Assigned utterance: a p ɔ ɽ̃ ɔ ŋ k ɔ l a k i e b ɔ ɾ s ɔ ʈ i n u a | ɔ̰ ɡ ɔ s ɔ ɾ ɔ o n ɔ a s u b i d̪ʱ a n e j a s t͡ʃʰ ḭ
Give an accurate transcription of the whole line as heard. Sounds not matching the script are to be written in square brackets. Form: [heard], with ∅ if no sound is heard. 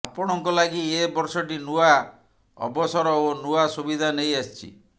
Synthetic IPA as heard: a p ɔ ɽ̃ ɔ ŋ k ɔ l a [ɡ] i e b ɔ ɾ s ɔ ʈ i n u a | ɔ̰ [b] ɔ s ɔ ɾ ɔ o n [u] a s u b i d̪ʱ a n e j a s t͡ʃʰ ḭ

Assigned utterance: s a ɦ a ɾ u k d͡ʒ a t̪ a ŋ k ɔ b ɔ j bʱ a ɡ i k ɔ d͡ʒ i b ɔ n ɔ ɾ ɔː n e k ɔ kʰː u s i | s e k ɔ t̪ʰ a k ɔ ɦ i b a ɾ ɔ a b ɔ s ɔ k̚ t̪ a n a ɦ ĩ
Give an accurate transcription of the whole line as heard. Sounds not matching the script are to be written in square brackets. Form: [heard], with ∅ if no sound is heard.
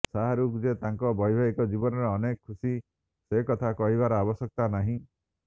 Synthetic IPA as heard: s a ɦ a ɾ u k d͡ʒ [e] t̪ a ŋ k ɔ b ɔ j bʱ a ɡ i k ɔ d͡ʒ i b ɔ n ɔ ɾ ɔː n e k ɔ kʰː u s i | s e k ɔ t̪ʰ a k ɔ ɦ i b a ɾ ɔ a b ɔ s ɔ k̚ t̪ a n a ɦ ĩ

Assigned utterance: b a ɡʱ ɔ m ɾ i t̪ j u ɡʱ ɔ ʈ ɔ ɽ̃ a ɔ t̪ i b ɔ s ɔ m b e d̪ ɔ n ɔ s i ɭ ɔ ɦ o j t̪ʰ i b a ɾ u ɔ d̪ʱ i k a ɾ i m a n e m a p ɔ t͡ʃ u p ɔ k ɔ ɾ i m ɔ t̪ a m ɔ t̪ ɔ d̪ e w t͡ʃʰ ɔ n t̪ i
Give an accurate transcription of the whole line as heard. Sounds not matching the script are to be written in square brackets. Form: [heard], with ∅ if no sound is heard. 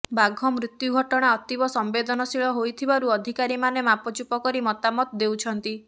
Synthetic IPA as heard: b a ɡʱ ɔ m ɾ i t̪ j u ɡʱ ɔ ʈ ɔ ɽ̃ a ɔ t̪ i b ɔ s ɔ m b e d̪ ɔ n ɔ s i ɭ ɔ ɦ o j t̪ʰ i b a ɾ u ɔ d̪ʱ i k a ɾ i m a n e m a p ɔ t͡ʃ u p ɔ k ɔ ɾ i m ɔ t̪ a m ɔ t̪ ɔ d̪ e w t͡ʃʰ ɔ n t̪ i

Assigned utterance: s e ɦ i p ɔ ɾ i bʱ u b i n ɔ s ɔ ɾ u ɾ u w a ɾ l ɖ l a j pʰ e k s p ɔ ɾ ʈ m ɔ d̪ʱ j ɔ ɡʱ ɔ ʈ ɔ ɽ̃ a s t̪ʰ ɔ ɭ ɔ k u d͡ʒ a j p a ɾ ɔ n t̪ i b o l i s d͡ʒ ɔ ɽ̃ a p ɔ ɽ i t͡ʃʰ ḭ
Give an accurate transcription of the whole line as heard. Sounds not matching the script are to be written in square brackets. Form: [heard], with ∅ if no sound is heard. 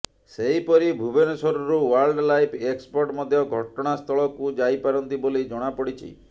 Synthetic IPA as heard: s e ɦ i p ɔ ɾ i bʱ u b [e] n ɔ s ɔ ɾ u ɾ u w a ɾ l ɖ l a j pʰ e k s p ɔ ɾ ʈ m ɔ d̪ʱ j ɔ ɡʱ ɔ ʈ ɔ ɽ̃ a s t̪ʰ ɔ ɭ ɔ k u d͡ʒ a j p a ɾ ɔ n t̪ i b o l i [∅] d͡ʒ ɔ ɽ̃ a p ɔ ɽ i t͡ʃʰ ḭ

